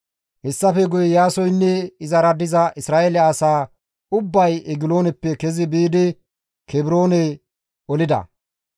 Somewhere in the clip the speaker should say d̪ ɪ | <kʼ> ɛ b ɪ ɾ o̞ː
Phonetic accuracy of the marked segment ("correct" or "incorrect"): incorrect